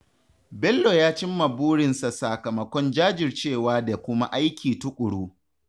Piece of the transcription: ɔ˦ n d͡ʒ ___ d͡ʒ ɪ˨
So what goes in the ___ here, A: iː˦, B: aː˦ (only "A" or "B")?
B